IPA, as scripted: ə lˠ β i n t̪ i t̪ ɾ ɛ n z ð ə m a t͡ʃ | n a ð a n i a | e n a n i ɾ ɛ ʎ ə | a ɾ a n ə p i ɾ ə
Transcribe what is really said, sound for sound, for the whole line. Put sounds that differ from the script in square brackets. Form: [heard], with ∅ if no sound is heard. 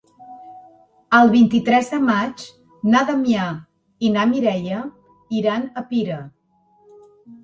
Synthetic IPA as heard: ə lˠ β i n t̪ i t̪ ɾ ɛ [∅] z ð ə m a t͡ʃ | n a ð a [m] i a | [i] n a [m] i ɾ ɛ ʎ ə | [i] ɾ a n ə p i ɾ ə